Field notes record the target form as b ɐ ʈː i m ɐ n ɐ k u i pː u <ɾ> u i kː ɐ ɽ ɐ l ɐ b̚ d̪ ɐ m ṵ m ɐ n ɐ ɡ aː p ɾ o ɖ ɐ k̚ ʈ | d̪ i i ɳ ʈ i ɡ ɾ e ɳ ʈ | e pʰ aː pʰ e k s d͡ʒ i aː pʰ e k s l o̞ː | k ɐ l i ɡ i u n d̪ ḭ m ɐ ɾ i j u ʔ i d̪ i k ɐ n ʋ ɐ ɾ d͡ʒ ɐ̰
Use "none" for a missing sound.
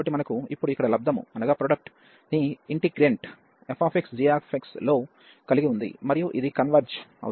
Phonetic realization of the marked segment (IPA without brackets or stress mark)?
ɽ